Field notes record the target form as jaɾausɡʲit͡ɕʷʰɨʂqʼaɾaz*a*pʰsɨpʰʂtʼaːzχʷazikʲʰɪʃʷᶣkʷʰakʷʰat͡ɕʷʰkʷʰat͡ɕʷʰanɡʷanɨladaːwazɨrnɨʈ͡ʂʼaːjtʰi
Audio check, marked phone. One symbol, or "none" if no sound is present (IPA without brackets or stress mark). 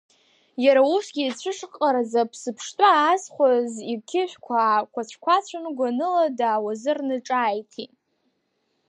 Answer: a